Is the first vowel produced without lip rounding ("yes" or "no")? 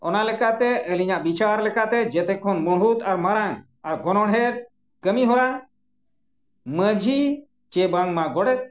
no